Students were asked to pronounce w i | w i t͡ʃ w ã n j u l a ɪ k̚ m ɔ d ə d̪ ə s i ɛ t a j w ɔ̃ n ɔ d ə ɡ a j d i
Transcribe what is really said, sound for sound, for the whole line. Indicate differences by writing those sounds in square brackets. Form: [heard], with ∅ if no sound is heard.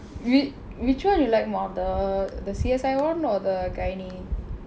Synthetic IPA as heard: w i | w i t͡ʃ w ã n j u l a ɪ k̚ m ɔ d ə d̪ ə s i ɛ [s] a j w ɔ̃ n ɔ d ə ɡ a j [n] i